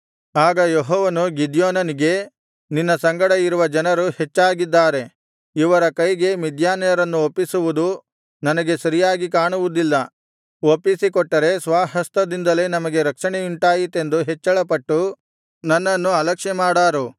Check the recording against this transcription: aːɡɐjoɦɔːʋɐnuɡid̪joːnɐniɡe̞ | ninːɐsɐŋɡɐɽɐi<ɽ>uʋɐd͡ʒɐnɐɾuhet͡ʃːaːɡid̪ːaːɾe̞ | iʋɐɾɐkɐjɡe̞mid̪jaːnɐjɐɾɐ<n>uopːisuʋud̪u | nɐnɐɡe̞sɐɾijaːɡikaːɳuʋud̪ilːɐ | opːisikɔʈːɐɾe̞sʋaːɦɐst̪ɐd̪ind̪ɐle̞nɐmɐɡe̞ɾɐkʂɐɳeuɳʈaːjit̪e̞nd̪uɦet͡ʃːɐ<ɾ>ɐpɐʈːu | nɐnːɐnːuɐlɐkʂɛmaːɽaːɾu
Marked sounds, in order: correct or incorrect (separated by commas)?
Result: incorrect, incorrect, incorrect